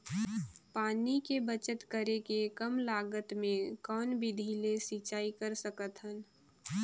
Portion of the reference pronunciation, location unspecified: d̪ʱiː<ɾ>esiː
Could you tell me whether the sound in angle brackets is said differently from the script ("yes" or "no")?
yes